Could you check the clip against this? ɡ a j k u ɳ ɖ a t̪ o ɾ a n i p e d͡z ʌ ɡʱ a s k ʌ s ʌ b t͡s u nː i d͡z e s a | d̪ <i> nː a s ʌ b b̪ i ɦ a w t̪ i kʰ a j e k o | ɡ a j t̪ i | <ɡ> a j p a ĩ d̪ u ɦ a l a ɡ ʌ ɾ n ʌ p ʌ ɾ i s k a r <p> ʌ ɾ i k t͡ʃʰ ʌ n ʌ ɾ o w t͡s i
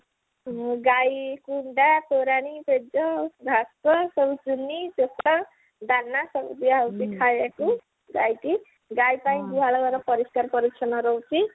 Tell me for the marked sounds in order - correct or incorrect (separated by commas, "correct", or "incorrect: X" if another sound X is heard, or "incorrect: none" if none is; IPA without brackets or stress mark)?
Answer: incorrect: a, correct, correct